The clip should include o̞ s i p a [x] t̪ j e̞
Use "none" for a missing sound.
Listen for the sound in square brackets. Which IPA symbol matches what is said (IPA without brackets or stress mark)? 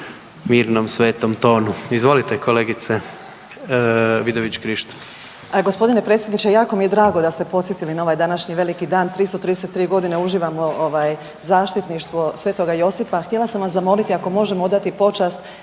x